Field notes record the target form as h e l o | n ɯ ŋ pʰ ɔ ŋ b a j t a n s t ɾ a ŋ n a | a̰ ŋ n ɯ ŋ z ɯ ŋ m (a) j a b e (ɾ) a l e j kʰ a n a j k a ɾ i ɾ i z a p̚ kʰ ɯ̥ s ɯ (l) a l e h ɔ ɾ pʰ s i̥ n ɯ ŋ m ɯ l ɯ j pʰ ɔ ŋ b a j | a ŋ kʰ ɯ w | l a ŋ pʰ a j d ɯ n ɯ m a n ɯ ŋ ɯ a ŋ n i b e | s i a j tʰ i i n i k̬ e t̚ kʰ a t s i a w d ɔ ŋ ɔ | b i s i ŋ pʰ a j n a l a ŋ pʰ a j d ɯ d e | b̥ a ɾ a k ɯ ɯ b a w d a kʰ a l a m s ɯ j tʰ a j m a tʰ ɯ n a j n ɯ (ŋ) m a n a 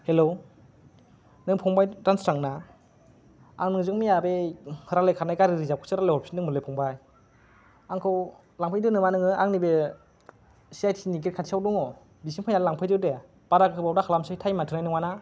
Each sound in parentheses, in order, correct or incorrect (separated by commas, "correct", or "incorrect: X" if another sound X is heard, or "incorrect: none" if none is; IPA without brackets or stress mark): incorrect: i, correct, incorrect: ɾ, correct